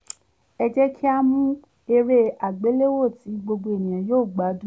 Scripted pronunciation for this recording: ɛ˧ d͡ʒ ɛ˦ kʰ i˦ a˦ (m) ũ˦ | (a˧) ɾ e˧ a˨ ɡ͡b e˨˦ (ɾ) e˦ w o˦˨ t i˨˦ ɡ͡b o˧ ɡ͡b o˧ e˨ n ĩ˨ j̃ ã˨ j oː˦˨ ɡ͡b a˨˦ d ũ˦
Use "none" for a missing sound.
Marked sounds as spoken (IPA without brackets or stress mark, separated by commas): m, e˧, l